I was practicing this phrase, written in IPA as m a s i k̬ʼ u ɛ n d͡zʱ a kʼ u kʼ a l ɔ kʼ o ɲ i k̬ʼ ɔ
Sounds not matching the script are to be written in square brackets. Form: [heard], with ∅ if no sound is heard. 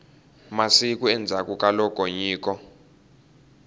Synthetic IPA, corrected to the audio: m a s i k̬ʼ u ɛ n d͡zʱ a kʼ u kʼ a l ɔ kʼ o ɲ [iː] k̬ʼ ɔ